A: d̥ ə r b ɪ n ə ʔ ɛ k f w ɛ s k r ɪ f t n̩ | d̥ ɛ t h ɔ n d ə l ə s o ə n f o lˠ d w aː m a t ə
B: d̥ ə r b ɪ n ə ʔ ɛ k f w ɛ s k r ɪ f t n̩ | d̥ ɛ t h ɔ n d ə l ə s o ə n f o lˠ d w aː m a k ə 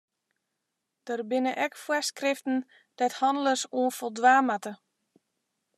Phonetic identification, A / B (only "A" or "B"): A